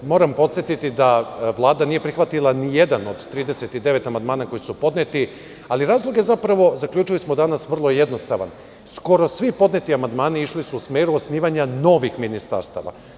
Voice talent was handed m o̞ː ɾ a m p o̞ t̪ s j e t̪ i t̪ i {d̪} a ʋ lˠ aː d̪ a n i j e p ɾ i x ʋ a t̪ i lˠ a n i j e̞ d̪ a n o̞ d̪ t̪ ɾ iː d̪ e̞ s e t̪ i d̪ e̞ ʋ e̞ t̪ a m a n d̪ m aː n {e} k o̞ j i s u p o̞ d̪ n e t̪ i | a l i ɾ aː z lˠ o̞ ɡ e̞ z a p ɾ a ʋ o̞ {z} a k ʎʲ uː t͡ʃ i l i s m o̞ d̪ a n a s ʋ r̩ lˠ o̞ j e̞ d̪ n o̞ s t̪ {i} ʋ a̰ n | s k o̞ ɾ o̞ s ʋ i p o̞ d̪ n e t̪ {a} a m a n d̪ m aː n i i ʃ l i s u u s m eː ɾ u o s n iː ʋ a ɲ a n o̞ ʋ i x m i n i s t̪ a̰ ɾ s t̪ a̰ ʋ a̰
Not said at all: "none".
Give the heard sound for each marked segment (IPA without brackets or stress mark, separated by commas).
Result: d̪, a, z, a, i